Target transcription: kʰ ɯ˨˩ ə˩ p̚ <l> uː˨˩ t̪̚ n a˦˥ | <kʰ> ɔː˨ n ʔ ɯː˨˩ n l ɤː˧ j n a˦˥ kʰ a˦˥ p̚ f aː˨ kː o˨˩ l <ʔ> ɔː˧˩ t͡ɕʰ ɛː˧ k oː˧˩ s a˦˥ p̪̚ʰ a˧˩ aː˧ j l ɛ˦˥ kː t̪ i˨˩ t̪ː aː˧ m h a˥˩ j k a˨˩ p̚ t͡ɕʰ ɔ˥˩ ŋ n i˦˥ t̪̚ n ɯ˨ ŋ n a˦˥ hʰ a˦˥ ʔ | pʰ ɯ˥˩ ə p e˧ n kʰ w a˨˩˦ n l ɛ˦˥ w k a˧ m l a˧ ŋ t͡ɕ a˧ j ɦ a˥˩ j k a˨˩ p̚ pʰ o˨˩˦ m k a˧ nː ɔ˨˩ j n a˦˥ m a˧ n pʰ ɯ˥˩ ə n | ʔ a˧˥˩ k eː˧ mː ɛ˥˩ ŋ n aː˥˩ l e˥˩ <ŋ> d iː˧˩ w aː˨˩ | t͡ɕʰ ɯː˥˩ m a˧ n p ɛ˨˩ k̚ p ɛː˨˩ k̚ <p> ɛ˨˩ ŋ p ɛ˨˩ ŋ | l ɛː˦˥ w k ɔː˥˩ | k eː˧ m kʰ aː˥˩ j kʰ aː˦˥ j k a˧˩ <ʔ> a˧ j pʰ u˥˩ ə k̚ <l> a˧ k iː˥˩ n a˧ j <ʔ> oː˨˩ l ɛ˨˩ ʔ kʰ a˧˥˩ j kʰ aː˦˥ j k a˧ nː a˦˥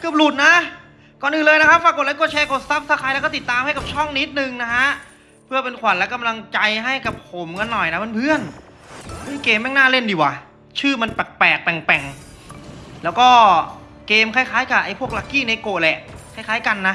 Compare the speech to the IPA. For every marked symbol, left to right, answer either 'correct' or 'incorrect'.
correct, incorrect: k, incorrect: k, incorrect: n, correct, correct, correct, incorrect: k

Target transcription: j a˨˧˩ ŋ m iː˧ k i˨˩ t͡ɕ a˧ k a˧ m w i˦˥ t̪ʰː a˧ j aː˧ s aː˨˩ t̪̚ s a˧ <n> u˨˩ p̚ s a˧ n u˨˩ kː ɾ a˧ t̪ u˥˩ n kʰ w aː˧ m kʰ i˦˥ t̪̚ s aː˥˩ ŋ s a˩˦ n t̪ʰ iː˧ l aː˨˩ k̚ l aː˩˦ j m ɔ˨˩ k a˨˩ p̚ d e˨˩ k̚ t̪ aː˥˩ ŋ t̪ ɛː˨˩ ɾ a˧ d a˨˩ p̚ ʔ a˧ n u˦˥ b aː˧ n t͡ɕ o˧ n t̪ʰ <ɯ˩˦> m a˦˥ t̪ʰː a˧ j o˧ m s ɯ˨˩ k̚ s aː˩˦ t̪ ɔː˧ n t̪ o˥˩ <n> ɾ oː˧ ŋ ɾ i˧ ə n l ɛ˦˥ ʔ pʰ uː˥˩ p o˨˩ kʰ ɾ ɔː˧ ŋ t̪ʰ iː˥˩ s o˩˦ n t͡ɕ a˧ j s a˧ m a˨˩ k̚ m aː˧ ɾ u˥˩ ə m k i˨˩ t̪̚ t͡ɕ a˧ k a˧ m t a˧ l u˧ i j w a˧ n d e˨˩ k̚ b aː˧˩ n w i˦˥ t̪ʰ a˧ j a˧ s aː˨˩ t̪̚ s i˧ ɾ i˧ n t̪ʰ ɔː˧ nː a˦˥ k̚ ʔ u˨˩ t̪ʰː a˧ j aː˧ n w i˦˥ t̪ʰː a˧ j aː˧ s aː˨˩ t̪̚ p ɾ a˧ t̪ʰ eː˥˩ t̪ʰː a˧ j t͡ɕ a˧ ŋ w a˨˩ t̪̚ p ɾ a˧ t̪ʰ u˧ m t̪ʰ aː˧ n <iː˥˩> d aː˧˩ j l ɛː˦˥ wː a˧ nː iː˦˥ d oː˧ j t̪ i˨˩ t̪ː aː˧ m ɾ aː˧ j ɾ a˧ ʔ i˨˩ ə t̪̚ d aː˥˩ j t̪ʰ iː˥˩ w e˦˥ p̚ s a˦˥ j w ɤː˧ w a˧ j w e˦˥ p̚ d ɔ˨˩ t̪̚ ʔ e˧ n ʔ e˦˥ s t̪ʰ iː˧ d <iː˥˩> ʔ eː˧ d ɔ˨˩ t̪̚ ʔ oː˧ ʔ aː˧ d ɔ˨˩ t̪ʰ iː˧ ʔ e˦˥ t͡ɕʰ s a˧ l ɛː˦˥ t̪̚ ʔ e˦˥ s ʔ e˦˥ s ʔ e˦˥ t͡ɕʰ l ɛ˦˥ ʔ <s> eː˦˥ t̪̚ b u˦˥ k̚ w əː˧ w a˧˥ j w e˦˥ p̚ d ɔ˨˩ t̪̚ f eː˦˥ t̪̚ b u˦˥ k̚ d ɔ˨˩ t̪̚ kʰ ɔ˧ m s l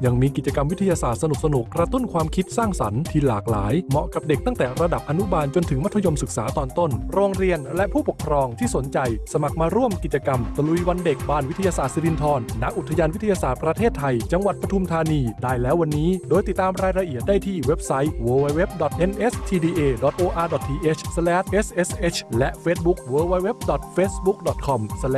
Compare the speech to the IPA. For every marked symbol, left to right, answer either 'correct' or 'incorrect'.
correct, correct, correct, incorrect: iː˧, incorrect: iː˧, incorrect: f

